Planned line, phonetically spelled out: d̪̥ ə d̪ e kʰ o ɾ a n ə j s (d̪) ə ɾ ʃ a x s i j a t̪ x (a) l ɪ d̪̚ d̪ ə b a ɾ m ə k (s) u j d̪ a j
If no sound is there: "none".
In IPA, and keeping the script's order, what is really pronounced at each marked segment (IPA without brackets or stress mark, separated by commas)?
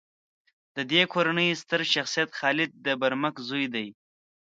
t̪, ɑ, z